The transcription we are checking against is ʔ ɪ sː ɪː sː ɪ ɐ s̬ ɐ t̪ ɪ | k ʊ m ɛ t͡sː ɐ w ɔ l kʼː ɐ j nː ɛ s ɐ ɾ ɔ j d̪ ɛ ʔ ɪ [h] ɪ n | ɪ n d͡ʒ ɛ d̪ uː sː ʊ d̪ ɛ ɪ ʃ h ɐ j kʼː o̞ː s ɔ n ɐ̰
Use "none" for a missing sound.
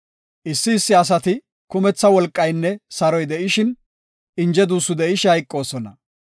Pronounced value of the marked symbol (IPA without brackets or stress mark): ʃ